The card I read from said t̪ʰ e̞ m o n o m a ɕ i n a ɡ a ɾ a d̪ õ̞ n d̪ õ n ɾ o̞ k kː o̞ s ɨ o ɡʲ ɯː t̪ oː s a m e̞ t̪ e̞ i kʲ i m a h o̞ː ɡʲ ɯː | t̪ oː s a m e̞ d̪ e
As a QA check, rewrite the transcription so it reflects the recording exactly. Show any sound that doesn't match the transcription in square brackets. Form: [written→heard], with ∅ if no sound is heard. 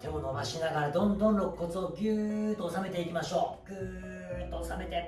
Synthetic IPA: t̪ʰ e̞ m o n o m a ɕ i n a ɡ a ɾ a d̪ õ̞ n d̪ õ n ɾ o̞ k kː o̞ [s→t͡s] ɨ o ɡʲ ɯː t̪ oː s a m e̞ t̪ e̞ i kʲ i m a [h→ɕ] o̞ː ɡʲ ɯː | t̪ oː s a m e̞ [d̪→t̪] e